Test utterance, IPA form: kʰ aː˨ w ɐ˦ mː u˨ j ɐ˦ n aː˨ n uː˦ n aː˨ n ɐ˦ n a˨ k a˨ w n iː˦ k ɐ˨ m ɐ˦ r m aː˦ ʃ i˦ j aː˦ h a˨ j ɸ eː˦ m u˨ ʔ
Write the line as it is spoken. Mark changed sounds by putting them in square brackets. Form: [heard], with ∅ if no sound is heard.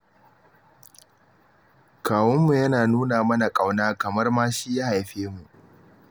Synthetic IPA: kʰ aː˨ w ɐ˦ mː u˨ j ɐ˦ n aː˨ n uː˦ n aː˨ [m] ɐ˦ n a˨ [kʼ] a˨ w n [aː˦] k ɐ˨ m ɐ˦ r m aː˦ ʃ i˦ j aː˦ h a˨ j ɸ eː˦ m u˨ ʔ